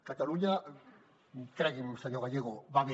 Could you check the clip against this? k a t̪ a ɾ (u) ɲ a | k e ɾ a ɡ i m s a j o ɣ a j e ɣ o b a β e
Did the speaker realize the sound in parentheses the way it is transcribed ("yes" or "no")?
yes